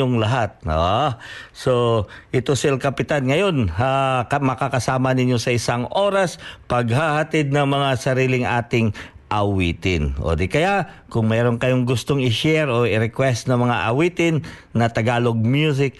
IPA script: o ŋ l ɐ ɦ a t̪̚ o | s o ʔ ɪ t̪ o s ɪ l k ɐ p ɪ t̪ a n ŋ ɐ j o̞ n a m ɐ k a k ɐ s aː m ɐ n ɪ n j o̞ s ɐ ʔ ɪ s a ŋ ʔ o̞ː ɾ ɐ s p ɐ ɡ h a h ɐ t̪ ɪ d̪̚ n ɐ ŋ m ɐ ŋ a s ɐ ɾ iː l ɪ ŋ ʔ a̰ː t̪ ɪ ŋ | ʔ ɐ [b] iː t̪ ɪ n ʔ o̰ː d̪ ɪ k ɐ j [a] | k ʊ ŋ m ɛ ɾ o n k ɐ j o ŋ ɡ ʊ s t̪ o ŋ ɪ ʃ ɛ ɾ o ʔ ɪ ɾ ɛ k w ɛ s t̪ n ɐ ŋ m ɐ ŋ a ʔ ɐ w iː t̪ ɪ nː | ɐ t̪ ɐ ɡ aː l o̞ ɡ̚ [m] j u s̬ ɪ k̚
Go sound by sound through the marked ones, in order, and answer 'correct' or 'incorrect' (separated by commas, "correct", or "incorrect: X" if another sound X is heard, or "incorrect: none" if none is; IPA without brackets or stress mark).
incorrect: w, correct, correct